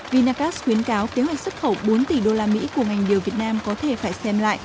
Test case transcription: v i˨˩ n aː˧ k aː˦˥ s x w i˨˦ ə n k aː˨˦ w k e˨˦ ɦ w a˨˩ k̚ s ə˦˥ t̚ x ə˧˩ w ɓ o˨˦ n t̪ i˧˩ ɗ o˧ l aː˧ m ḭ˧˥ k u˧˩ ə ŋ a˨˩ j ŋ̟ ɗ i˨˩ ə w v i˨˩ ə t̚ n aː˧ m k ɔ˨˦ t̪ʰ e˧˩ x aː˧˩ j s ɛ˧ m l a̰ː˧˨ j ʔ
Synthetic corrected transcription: v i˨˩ n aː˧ k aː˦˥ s x w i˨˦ ə n k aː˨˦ w k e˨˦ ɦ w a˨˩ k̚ s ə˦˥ t̚ x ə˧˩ w ɓ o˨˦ n t̪ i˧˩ ɗ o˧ l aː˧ m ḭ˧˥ k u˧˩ ə ŋ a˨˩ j ŋ̟ ɗ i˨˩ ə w v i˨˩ ə t̚ n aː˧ m k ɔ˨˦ t̪ʰ e˧˩ f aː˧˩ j s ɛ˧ m l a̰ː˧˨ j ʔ